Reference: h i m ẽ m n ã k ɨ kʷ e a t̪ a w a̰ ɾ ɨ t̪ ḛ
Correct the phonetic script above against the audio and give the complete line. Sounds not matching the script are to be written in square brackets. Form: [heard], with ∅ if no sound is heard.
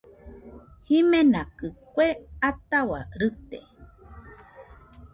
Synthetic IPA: h i m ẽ [∅] n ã k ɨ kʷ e a t̪ a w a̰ ɾ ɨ t̪ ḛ